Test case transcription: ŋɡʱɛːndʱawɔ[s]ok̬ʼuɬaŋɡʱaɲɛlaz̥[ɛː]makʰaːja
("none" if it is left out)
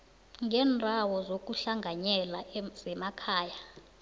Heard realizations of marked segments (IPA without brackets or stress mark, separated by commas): z, ɛ